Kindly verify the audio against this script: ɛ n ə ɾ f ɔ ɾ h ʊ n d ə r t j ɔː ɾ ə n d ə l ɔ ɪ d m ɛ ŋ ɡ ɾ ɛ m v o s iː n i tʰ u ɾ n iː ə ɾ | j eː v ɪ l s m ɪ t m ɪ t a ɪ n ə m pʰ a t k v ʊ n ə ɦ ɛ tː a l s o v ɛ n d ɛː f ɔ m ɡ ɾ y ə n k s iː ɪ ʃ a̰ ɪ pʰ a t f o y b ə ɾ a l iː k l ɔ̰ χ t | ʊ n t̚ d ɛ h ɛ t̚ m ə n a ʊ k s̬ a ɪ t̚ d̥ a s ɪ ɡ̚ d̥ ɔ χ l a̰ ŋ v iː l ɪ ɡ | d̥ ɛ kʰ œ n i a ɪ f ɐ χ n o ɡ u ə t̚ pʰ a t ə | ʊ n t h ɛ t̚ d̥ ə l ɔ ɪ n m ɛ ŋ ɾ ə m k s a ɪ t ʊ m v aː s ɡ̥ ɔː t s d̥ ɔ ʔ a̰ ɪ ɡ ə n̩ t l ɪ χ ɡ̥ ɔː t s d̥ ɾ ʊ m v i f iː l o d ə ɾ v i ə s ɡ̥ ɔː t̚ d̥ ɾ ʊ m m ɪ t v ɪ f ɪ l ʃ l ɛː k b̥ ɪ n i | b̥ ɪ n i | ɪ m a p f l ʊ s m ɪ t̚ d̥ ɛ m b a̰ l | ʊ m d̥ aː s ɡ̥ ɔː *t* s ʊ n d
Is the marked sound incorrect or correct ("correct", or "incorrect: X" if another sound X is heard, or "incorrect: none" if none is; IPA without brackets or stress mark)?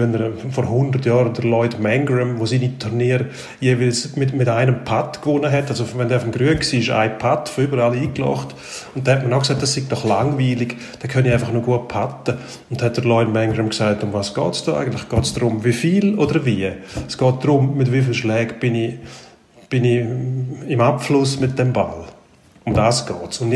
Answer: correct